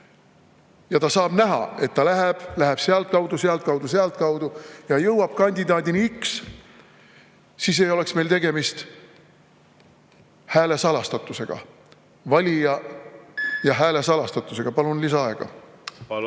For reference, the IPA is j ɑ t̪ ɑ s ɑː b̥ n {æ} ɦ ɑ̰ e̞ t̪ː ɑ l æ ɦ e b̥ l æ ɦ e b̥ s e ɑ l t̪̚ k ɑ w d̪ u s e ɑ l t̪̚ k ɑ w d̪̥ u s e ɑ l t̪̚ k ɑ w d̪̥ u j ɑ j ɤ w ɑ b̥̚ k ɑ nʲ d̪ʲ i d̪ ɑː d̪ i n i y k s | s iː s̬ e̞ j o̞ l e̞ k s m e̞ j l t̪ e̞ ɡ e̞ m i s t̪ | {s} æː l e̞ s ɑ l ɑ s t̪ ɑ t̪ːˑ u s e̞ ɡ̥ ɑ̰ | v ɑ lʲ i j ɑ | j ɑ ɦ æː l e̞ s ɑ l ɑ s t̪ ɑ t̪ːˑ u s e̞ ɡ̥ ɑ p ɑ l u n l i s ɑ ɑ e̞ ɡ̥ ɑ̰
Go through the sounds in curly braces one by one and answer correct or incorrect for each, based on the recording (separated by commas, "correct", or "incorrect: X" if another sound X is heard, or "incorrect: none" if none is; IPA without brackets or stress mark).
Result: correct, incorrect: h